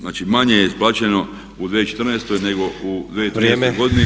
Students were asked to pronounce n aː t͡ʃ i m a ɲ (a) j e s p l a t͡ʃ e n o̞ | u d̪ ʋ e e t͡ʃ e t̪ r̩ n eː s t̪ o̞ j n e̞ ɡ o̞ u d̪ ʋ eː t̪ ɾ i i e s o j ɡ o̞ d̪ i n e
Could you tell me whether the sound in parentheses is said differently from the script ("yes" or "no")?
yes